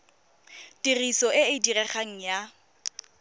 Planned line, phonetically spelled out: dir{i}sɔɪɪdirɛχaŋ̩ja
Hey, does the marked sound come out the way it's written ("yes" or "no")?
yes